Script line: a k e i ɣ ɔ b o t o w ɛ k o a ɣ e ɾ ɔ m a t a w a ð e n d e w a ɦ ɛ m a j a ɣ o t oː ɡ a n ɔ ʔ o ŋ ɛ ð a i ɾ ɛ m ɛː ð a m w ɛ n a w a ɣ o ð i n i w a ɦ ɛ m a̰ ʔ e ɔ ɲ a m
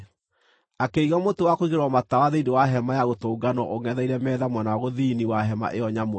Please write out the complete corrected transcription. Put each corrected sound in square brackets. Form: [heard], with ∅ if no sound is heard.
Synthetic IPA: a k e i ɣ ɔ [m] o t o w [a] k o [i] ɣ e ɾ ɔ m a t a w a ð e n d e w a ɦ ɛ m a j a ɣ o t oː ɡ a n ɔ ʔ o ŋ ɛ ð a i ɾ ɛ m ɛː ð a m w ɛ n a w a ɣ o ð i n i w a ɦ ɛ m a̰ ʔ e ɔ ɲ a m